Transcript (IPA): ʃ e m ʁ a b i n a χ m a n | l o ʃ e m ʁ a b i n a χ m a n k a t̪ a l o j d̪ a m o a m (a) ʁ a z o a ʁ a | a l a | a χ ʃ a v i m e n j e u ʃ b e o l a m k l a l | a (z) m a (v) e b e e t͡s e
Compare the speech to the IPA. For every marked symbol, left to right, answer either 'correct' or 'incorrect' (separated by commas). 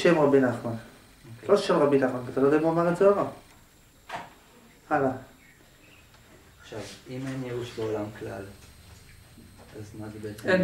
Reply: correct, correct, incorrect